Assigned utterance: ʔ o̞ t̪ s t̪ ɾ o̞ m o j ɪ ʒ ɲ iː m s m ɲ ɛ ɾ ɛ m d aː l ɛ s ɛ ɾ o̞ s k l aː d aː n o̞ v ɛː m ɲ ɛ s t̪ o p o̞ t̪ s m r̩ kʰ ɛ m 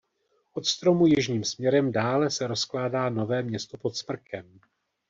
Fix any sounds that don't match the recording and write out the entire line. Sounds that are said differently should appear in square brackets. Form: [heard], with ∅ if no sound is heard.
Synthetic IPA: ʔ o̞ t̪ s t̪ ɾ o̞ m [u] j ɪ ʒ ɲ iː m s m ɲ ɛ ɾ ɛ m d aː l ɛ s ɛ ɾ o̞ s k l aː d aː n o̞ v ɛː m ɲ ɛ s t̪ o p o̞ t̪ s m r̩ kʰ ɛ m